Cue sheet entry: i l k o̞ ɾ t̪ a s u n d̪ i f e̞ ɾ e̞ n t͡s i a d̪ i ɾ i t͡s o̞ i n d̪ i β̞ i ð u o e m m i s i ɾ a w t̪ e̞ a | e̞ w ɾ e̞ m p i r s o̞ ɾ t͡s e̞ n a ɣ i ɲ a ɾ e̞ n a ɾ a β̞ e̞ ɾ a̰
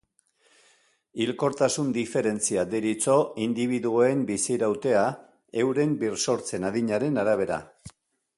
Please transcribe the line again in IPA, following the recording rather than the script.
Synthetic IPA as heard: i l k o̞ ɾ t̪ a s u n d̪ i f e̞ ɾ e̞ n t͡s i a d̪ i ɾ i t͡s o̞ i n d̪ i β̞ i ð u o e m b i s i ɾ a w t̪ e̞ a | e̞ w ɾ e̞ m b i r s o̞ ɾ t͡s e̞ n a ð i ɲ a ɾ e̞ n a ɾ a β̞ e̞ ɾ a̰